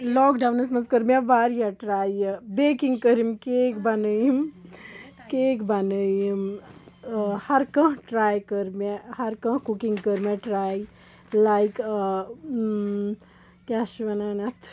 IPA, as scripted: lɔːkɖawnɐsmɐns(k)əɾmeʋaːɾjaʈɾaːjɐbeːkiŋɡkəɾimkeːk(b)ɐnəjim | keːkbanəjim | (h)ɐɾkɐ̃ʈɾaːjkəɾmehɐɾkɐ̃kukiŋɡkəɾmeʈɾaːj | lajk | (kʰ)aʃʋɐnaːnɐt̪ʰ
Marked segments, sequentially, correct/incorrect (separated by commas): correct, correct, correct, incorrect